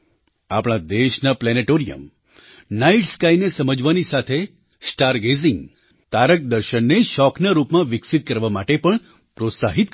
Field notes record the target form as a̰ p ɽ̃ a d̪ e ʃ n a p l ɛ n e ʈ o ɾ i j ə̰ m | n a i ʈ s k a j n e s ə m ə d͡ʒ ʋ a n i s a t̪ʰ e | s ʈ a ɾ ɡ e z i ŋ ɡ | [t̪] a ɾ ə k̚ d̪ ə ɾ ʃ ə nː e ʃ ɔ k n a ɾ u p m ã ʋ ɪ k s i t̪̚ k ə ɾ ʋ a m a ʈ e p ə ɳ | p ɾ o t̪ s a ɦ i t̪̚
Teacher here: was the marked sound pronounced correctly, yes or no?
yes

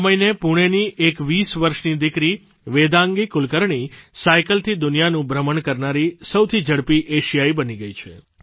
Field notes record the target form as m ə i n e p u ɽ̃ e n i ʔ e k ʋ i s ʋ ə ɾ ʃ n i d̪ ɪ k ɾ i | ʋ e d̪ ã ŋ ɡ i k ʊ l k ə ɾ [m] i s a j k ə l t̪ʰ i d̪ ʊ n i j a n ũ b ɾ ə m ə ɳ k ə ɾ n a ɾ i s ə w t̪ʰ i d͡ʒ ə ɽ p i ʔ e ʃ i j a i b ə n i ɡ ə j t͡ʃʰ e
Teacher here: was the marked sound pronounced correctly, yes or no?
no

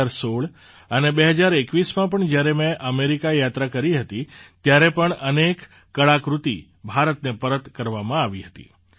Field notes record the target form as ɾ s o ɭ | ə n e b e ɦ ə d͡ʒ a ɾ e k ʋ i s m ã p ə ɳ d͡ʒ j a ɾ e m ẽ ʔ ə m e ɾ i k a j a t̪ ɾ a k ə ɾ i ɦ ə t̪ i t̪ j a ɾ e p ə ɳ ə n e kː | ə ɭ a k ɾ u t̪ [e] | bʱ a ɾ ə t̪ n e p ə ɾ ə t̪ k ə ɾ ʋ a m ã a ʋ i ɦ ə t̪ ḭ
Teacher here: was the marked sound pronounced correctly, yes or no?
no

